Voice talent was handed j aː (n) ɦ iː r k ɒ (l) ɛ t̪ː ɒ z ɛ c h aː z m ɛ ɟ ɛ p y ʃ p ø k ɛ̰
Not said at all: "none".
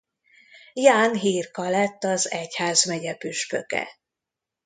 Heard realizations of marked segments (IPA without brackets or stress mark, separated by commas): n, l